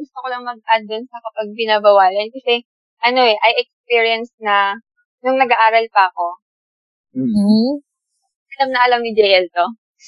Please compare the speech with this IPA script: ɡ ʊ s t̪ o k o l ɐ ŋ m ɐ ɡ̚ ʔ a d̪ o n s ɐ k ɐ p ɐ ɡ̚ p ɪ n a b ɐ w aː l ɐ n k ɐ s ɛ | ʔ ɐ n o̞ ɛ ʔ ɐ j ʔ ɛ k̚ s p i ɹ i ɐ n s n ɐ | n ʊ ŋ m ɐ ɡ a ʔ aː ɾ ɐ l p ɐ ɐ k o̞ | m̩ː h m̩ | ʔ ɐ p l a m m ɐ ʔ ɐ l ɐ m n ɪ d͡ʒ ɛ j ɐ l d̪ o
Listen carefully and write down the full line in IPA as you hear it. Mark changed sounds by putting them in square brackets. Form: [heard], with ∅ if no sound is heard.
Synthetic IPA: ɡ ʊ s t̪ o k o l ɐ ŋ m ɐ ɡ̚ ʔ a d̪ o n s ɐ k ɐ p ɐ ɡ̚ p ɪ n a b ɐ w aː l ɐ n k ɐ s ɛ | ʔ ɐ n o̞ ɛ ʔ ɐ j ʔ ɛ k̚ s p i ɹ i ɐ n s n ɐ | n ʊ ŋ [n] ɐ ɡ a ʔ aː ɾ ɐ l p ɐ ɐ k o̞ | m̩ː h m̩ | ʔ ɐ [∅] l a m [n] ɐ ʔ ɐ l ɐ m n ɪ d͡ʒ ɛ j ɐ l [t̪] o